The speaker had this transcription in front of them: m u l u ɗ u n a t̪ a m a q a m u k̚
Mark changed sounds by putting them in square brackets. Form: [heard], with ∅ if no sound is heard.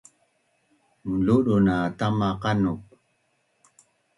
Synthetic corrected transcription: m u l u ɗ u n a t̪ a m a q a [n] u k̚